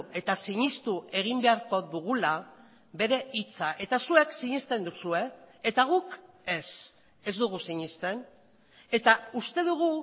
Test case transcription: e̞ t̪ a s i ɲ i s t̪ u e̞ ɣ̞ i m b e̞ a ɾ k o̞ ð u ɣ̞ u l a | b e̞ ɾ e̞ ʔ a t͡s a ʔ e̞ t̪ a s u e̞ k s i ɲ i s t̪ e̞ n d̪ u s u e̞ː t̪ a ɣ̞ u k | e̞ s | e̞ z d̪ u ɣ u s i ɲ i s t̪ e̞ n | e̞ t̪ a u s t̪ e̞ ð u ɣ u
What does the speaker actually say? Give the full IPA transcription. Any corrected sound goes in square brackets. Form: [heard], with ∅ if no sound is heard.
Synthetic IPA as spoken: e̞ t̪ a s i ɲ i s t̪ u e̞ ɣ̞ i m b e̞ a ɾ k o̞ ð u ɣ̞ u l a | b e̞ ɾ e̞ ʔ [i] t͡s a ʔ e̞ t̪ a s u e̞ k s i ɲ i s t̪ e̞ n d̪ u s u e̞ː t̪ a ɣ̞ u k | e̞ s | e̞ z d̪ u ɣ u s i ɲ i s t̪ e̞ n | e̞ t̪ a u s t̪ e̞ ð u ɣ u